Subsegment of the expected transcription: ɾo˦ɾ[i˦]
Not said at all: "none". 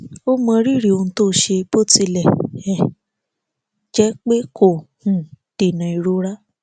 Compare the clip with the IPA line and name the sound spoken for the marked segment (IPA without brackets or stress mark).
a˦